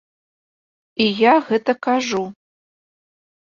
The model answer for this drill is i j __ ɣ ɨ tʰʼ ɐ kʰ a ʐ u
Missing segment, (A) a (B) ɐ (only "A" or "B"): A